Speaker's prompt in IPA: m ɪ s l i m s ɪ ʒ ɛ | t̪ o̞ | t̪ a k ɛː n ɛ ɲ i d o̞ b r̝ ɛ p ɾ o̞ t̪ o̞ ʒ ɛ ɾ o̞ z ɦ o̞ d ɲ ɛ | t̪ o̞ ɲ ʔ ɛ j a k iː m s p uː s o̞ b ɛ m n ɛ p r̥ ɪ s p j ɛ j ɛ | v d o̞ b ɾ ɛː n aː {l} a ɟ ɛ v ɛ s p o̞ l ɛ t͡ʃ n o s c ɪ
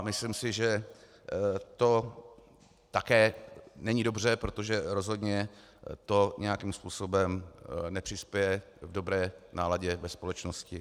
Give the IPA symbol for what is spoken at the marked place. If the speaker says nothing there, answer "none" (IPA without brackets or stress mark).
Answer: l